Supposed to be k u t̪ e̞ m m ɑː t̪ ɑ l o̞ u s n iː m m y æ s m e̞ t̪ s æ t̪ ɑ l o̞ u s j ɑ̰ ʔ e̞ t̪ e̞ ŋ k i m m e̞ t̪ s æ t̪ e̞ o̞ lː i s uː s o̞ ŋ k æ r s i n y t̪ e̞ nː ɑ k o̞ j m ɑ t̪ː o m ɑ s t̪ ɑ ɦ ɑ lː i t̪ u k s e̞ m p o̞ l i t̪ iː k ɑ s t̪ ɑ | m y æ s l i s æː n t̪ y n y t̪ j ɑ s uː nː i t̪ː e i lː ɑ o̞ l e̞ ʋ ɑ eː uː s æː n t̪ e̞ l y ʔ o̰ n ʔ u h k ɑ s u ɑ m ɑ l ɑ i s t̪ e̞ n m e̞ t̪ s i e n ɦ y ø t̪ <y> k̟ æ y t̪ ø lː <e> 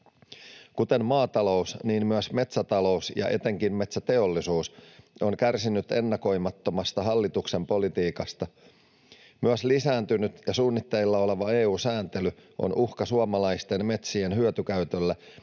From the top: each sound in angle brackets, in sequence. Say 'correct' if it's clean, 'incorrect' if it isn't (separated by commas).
correct, incorrect